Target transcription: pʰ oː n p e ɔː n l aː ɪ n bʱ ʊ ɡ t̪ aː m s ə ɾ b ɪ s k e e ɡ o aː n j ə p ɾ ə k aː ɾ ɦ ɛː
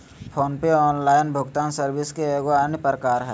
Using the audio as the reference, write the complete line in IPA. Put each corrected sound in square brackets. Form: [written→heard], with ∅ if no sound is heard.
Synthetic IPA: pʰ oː n p e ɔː n l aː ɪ n bʱ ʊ ɡ t̪ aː [m→n] s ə ɾ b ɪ s k e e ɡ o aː n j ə p ɾ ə k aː ɾ ɦ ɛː